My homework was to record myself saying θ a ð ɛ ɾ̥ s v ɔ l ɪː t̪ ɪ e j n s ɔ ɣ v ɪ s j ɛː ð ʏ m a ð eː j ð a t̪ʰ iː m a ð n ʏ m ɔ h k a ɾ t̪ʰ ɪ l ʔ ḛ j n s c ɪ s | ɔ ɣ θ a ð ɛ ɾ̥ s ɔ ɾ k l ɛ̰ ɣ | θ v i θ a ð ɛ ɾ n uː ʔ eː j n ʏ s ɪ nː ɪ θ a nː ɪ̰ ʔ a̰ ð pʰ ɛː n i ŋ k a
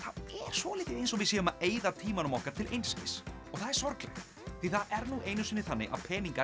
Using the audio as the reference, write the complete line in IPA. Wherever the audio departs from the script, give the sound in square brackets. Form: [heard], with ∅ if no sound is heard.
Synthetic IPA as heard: θ a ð ɛ ɾ̥ s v ɔ l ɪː t̪ ɪ e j n s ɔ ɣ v ɪ s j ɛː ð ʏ m a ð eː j ð a t̪ʰ iː m a [∅] n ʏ m ɔ h k a ɾ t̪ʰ ɪ l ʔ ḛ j n s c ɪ s | ɔ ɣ θ a ð ɛ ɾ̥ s ɔ ɾ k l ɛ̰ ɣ | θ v i θ a ð ɛ ɾ n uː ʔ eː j n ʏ s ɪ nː ɪ θ a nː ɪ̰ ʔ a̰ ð pʰ ɛː n i ŋ k a